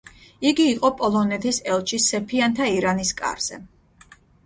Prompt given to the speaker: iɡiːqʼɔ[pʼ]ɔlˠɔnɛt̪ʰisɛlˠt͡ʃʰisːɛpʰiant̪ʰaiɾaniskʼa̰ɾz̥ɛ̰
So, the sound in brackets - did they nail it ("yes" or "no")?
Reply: yes